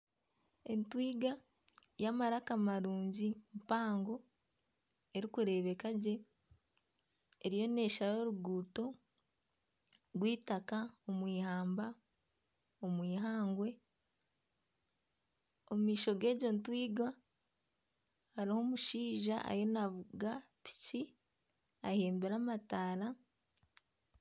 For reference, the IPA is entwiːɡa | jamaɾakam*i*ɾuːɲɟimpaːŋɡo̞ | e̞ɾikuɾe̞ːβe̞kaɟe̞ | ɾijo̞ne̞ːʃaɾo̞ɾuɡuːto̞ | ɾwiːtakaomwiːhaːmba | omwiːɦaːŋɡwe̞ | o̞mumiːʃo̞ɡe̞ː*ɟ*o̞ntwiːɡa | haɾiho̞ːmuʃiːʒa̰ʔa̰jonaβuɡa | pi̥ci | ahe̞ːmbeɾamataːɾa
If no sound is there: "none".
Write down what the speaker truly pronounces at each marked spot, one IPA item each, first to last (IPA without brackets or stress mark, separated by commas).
a, ɟ